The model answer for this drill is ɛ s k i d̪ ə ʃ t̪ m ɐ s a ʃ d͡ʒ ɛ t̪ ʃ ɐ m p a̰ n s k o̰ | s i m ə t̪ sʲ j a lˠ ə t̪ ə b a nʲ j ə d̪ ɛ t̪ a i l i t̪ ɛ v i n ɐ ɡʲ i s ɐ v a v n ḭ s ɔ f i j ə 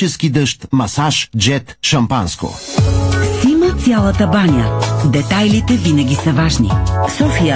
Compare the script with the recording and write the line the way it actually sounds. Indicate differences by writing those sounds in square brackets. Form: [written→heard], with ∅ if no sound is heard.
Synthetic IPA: ɛ s k i d̪ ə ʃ t̪ m ɐ s a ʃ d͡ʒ ɛ t̪ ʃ ɐ m p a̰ n s k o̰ | s i m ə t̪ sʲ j a lˠ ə t̪ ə b a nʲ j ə d̪ ɛ t̪ a [i→j] l i t̪ ɛ v i n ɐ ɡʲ i s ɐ v a [v→ʒ] n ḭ s ɔ f i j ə